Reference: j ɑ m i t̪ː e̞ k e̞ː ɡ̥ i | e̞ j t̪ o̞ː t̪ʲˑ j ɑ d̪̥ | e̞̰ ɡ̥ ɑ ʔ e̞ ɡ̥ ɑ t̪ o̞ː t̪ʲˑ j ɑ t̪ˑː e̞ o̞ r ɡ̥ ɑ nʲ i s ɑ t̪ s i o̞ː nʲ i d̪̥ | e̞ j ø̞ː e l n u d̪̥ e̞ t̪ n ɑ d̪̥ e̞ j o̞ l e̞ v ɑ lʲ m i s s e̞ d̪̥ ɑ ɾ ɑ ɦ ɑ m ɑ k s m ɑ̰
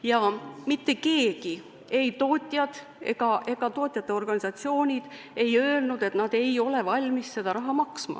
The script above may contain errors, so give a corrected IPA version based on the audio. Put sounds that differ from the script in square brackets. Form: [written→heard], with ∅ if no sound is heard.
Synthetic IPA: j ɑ m i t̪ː e̞ k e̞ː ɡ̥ i | e̞ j t̪ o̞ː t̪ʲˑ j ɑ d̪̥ | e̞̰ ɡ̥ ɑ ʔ e̞ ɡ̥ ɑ t̪ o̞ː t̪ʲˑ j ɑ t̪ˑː e̞ o̞ r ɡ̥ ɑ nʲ i s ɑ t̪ s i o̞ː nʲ i d̪̥ | e̞ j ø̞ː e l n u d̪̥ e̞ t̪ n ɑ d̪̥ e̞ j o̞ l e̞ v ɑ lʲ m i s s e̞ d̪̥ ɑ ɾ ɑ ɦ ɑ m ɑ k s m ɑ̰